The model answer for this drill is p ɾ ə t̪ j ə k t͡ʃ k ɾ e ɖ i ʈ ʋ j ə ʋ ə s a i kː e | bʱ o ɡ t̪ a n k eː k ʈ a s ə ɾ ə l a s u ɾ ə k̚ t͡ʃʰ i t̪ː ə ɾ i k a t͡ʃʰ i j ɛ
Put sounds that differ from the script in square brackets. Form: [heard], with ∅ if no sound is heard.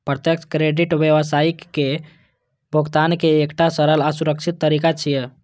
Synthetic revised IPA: p ɾ ə t̪ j ə k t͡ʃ k ɾ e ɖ i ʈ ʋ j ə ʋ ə s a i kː e | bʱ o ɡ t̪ a n k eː k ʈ a s ə ɾ ə l a s u ɾ ə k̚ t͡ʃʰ i t̪ː ə ɾ i k a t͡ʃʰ i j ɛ

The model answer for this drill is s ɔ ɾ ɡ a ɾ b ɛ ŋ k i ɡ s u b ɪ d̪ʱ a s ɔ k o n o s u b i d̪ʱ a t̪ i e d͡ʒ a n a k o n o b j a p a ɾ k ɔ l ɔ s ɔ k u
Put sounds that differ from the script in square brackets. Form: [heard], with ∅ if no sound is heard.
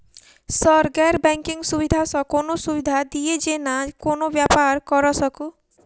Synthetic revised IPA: s ɔ ɾ ɡ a ɾ b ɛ ŋ k i [ŋ] s u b [i] d̪ʱ a s ɔ k o n o s u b i d̪ʱ a [d̪] i e d͡ʒ [e] n a k o n o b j a p a ɾ k ɔ [ɾ] ɔ s ɔ k u

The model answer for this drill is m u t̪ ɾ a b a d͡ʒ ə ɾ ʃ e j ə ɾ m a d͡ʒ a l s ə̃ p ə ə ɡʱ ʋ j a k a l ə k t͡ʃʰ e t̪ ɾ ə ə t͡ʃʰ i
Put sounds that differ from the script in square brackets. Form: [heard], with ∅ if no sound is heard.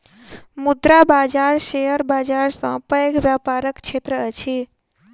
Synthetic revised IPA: m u [d̪] ɾ a b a d͡ʒ [a] ɾ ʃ e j ə ɾ [b] a d͡ʒ a [ɾ] s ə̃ p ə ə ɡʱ ʋ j a [p] a [ɾ] ə k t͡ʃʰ e t̪ ɾ ə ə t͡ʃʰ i

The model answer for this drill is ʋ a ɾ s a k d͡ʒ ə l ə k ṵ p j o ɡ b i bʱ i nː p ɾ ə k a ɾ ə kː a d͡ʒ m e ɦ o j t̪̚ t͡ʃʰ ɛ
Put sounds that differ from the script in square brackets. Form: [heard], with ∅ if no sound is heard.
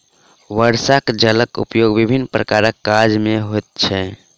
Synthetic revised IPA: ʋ [ə] ɾ s a k d͡ʒ ə l ə k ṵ p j o ɡ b i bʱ i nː p ɾ ə k a ɾ ə kː a d͡ʒ m e ɦ o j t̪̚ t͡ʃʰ ɛ

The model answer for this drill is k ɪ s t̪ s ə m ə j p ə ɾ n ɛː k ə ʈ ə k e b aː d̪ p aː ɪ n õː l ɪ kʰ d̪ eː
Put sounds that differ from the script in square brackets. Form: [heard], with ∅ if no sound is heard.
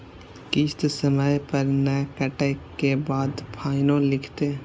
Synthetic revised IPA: k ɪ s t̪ s ə m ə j p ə ɾ n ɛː k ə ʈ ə k e b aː d̪ [pʰ] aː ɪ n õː l ɪ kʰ [t̪] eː

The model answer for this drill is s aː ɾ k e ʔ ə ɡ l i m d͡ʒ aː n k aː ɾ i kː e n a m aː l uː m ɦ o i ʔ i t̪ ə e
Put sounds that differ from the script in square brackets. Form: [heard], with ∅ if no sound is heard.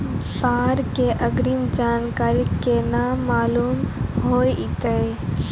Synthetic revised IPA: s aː ɾ k e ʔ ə ɡ [ɾ] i m d͡ʒ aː n k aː ɾ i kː e n a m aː l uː m ɦ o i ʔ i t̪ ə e

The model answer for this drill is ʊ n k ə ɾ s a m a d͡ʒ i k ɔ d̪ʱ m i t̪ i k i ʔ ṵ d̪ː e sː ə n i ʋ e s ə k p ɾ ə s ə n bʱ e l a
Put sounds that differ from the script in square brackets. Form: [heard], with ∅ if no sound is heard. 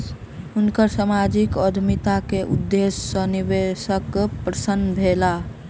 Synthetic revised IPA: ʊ n k ə ɾ s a m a d͡ʒ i k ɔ d̪ʱ m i t̪ [a] k [e] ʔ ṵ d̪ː e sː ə n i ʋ e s ə k p ɾ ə s ə n bʱ e l a

